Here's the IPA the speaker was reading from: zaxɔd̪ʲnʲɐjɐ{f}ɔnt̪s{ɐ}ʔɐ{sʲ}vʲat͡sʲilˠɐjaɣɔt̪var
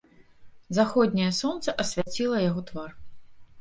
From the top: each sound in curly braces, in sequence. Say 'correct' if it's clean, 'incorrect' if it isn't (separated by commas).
incorrect, correct, correct